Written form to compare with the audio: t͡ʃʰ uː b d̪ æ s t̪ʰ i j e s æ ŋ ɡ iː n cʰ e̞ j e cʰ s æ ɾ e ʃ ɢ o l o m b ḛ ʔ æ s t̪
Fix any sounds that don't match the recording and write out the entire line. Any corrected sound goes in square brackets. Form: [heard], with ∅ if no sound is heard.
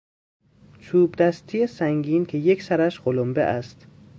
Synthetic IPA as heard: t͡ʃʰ uː b d̪ æ s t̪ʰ i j e s æ ŋ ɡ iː n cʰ e̞ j e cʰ s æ ɾ [æ] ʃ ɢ o l o m b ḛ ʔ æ s t̪